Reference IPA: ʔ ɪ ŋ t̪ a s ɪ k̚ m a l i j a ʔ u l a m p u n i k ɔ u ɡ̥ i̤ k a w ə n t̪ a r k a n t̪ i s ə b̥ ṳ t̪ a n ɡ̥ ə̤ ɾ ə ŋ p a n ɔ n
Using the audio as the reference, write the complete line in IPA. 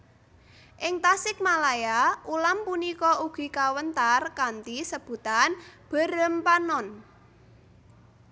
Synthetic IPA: ʔ ɪ ŋ t̪ a s ɪ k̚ m a l a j a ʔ u l a m p u n i k ɔ u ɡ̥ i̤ k a w ə n t̪ a r k a n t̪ i s ə b̥ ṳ t̪ a n b̥ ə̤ ɾ ə m p a n ɔ n